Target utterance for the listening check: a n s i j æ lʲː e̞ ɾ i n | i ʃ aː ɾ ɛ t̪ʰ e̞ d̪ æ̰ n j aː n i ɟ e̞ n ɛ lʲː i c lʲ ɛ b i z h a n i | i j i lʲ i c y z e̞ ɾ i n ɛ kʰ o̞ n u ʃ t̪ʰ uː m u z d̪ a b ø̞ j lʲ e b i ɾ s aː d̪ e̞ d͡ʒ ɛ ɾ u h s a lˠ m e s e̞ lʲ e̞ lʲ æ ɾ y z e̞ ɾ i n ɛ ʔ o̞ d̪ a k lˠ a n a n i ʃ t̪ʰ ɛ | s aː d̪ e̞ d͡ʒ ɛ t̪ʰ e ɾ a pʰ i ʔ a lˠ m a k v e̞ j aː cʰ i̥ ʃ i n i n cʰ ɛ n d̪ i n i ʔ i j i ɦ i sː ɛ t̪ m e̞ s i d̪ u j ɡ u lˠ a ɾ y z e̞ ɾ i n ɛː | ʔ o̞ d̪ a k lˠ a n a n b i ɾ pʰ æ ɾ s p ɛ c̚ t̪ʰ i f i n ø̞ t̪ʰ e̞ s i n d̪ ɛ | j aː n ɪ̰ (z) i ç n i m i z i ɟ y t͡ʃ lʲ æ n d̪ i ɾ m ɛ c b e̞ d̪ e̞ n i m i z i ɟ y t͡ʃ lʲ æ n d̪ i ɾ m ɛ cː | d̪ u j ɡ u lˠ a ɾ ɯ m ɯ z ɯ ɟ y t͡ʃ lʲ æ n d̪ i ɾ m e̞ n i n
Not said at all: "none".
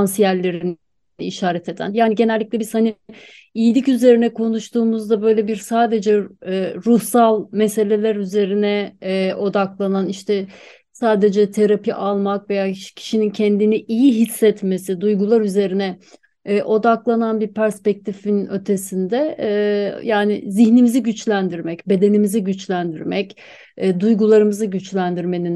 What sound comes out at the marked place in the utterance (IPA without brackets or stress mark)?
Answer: z